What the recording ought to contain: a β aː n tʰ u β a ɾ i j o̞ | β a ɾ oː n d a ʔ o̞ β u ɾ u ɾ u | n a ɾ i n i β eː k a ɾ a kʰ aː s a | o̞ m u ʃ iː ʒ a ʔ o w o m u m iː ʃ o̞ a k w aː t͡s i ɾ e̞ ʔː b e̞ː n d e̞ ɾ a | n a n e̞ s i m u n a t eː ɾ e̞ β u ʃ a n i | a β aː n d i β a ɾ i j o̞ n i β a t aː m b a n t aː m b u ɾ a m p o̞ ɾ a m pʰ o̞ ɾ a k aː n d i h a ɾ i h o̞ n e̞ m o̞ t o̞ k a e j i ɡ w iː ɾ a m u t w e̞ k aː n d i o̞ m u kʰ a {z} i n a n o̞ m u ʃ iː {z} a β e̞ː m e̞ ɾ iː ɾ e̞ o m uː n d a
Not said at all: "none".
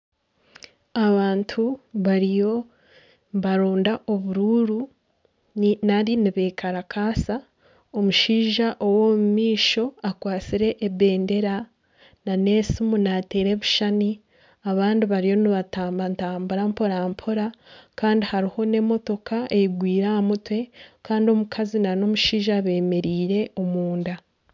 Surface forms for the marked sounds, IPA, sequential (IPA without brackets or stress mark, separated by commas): z, ʒ